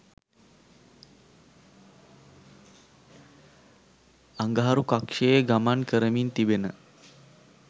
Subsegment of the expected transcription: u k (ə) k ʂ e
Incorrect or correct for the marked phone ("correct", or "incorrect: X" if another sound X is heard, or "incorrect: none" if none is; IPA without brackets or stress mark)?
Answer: incorrect: a